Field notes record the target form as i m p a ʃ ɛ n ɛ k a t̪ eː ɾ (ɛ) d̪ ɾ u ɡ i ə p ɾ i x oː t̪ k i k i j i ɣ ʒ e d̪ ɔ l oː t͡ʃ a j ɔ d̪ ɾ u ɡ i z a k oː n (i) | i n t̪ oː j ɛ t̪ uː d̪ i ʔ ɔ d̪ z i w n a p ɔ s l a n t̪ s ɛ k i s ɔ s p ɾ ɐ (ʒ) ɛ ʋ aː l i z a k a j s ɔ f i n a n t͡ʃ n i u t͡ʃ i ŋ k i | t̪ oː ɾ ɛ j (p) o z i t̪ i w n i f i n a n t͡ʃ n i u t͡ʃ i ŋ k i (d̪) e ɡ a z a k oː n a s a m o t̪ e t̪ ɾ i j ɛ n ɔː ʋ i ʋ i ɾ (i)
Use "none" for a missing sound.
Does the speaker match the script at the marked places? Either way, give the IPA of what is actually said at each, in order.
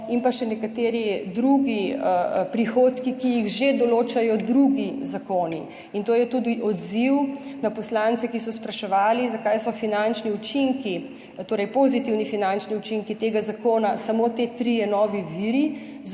i, i, ʃ, p, t̪, i

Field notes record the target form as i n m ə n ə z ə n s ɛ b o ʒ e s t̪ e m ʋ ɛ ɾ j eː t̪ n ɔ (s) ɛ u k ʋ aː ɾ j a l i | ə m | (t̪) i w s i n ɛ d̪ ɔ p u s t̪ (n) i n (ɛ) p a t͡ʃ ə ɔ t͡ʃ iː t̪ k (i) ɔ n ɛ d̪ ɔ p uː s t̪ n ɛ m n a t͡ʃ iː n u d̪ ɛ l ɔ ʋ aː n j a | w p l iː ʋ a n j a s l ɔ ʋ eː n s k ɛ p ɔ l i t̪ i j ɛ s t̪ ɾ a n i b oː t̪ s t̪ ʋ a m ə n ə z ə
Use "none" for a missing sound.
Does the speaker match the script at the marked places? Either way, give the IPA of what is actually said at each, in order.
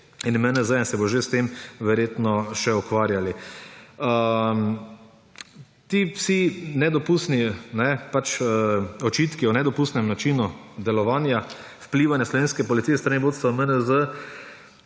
ʃ, t̪, n, ɛ, i

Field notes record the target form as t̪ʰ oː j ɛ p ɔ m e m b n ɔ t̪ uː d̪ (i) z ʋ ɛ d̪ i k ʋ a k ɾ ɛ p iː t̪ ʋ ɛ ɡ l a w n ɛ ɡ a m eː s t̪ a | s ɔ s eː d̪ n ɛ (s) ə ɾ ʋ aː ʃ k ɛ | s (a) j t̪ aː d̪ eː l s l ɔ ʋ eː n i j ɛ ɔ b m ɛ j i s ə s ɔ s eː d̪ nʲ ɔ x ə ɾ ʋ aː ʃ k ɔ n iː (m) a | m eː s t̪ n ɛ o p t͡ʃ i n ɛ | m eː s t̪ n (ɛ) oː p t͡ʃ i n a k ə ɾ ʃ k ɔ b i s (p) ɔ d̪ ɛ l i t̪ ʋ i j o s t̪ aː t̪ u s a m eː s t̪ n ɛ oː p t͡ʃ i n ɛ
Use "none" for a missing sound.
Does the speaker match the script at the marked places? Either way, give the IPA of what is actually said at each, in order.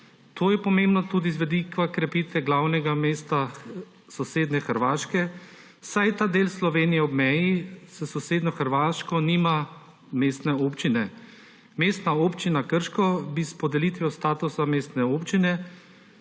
i, x, a, m, a, p

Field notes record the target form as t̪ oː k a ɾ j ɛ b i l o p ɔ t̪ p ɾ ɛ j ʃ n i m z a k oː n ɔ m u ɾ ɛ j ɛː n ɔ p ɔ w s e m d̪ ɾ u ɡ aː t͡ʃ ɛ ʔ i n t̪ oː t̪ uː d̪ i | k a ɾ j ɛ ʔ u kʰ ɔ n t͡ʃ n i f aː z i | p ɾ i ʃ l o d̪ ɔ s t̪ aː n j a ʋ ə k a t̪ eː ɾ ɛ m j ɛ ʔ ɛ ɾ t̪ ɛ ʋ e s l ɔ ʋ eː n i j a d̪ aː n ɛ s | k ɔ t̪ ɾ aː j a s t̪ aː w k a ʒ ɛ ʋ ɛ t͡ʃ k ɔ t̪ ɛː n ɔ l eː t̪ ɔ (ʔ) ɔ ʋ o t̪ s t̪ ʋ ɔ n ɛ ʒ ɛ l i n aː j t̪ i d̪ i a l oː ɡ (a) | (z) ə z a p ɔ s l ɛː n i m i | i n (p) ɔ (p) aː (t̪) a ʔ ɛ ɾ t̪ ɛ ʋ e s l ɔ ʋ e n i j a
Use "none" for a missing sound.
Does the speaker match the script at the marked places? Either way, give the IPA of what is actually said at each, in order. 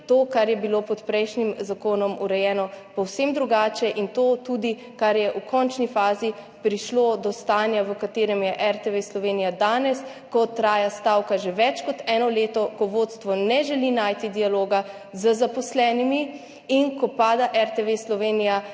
k, a, z, k, p, d̪

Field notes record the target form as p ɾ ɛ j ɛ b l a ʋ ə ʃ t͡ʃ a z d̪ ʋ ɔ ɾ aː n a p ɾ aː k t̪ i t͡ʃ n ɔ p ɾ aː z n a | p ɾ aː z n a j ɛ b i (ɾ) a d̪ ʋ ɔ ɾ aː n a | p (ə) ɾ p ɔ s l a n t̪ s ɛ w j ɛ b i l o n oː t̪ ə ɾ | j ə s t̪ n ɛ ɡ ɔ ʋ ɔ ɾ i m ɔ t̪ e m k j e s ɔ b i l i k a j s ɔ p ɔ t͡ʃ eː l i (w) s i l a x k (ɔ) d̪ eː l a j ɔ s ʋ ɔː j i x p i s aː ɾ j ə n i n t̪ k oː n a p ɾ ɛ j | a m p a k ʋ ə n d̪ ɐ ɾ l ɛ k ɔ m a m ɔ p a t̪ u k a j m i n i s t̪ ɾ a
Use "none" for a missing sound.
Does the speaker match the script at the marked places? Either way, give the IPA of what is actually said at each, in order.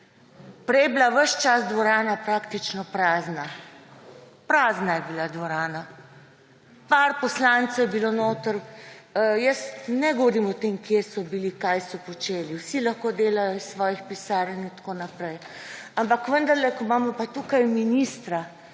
l, a, w, o

